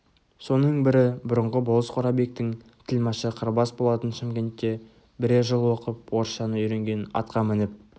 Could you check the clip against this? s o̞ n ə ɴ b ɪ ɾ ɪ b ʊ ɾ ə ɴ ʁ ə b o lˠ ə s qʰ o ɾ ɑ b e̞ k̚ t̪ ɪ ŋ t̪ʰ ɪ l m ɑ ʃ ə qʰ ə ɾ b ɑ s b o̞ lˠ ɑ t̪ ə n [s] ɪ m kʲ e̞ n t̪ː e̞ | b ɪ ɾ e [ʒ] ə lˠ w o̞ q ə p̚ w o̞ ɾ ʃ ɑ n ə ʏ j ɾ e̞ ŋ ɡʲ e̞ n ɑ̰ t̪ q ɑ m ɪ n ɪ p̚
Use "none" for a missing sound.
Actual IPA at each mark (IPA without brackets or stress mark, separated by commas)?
ʃ, ʒ